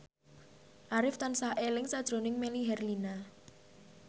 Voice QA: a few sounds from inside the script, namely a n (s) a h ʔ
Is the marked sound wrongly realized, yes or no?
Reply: no